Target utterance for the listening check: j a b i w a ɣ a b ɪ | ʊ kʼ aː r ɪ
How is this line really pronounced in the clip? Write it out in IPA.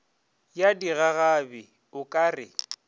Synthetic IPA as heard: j a d i ɣ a ɣ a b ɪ | ʊ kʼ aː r ɪ

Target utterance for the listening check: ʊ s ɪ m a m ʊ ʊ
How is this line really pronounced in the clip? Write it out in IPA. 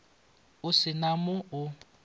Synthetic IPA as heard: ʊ s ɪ n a m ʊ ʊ

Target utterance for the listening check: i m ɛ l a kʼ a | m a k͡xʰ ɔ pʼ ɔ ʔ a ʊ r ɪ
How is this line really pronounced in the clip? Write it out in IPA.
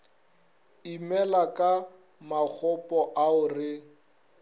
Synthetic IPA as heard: i m ɛ l a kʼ a | m a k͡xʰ ɔ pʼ ɔ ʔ a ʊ r ɪ

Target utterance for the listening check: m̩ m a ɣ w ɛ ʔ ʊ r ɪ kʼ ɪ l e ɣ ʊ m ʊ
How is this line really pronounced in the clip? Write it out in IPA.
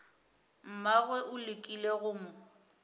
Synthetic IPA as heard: m̩ m a ɣ w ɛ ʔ ʊ l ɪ kʼ i l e ɣ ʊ m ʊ

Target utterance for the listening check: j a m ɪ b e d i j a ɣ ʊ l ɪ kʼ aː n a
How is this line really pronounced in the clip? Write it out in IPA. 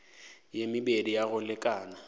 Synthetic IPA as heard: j e m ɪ b e d i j a ɣ ʊ l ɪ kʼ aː n a

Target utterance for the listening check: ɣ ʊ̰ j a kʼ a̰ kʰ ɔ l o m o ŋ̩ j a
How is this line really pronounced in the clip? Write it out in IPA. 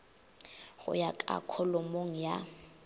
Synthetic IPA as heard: ɣ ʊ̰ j a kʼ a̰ kʰ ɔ l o m o ŋ̩ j a

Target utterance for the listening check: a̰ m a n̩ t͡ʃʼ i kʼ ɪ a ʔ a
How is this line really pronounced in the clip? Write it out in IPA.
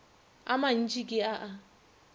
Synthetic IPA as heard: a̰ m a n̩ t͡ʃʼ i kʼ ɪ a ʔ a

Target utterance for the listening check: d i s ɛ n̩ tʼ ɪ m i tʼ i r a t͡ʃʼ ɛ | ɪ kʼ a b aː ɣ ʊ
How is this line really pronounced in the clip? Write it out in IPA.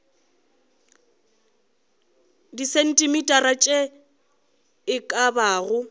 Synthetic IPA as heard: d i s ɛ n̩ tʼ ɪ m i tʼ a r a t͡ʃʼ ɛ | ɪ kʼ a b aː ɣ ʊ

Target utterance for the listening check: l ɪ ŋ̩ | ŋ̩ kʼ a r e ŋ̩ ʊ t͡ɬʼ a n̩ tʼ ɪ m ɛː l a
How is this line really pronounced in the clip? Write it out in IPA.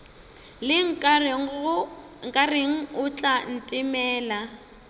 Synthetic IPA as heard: l ɪ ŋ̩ | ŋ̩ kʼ a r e ŋ̩ ʊ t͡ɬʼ a n̩ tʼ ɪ m ɛː l a

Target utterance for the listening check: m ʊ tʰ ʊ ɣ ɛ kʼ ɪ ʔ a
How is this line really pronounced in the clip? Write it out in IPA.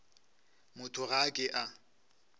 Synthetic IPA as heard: m ʊ tʰ ʊ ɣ a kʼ ɪ ʔ a

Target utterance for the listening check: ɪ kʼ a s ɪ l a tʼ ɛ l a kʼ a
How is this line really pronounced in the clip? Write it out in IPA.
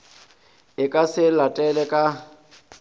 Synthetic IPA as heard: ɪ kʼ a s ɪ l a tʼ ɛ l ɛ kʼ a

